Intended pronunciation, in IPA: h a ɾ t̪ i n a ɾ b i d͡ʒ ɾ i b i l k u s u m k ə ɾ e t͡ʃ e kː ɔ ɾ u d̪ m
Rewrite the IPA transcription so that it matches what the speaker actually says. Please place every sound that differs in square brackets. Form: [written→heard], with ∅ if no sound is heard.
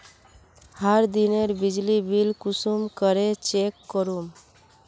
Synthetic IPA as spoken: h a ɾ [t̪→d̪] i n [a→e] ɾ b i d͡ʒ [ɾ→l] i b i l k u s u m k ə ɾ e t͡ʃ e kː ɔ ɾ u [d̪→∅] m

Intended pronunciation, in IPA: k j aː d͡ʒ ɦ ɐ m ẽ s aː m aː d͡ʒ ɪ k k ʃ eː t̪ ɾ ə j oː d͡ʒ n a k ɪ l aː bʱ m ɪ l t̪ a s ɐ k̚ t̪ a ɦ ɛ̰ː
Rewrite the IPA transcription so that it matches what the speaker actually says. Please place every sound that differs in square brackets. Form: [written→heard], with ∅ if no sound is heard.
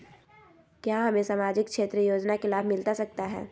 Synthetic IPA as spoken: k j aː [d͡ʒ→∅] ɦ ɐ m ẽ s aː m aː d͡ʒ ɪ k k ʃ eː t̪ ɾ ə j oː d͡ʒ n a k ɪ l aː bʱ m ɪ l t̪ a s ɐ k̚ t̪ a ɦ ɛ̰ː

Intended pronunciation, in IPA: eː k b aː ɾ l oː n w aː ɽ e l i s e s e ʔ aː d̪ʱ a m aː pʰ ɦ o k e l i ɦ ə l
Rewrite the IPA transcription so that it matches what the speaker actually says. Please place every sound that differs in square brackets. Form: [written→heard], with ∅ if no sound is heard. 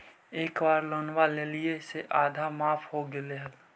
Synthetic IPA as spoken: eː k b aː ɾ l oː n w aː [ɽ→l] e l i [s→∅] e s e ʔ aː d̪ʱ a m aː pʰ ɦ o [k→ɡ] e l [i→e] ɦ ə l

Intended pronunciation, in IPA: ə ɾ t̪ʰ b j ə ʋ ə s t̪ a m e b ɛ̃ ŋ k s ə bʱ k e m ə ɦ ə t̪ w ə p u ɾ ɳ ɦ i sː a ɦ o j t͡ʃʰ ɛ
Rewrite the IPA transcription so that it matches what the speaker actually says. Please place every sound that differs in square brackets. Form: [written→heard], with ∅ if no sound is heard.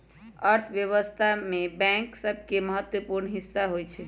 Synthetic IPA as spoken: ə ɾ t̪ʰ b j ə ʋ ə s [t̪→t̪ʰ] a m e b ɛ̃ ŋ k s ə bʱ k e m ə ɦ ə t̪ w ə p u ɾ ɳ ɦ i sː a ɦ o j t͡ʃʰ ɛ

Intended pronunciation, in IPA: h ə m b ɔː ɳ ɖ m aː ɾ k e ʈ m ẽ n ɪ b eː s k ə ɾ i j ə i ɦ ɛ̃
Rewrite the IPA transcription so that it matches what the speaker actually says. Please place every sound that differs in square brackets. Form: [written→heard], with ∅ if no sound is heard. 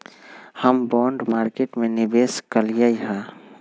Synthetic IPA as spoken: h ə m b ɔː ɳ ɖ m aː ɾ k e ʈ m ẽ n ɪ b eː s k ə [ɾ→l] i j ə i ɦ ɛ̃

